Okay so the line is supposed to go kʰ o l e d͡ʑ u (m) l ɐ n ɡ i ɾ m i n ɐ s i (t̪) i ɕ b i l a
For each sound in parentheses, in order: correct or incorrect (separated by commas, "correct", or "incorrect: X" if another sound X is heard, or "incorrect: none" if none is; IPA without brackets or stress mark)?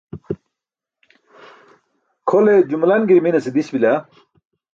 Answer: correct, incorrect: d̪